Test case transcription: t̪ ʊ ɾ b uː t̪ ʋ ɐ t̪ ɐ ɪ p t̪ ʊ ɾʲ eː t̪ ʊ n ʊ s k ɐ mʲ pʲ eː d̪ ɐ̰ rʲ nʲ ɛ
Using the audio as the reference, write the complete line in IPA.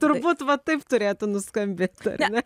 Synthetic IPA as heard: t̪ ʊ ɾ b uː t̪ ʋ ɐ t̪ ɐ ɪ p t̪ ʊ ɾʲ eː t̪ ʊ n ʊ s k ɐ mʲ bʲ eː t̪ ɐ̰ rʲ nʲ ɛ